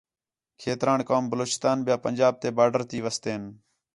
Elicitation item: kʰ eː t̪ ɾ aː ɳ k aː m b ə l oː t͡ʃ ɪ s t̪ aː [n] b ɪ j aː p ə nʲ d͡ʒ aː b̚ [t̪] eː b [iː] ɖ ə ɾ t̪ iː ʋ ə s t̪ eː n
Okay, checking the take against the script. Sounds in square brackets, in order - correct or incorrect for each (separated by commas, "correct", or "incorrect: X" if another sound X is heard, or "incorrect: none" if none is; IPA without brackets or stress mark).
correct, correct, incorrect: aː